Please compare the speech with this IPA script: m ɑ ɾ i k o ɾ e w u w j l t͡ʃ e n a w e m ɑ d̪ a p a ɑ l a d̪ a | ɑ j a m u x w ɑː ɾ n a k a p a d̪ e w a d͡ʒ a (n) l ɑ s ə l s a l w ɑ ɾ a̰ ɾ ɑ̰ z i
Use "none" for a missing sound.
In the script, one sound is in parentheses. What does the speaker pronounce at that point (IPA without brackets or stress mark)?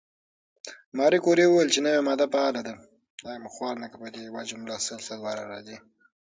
m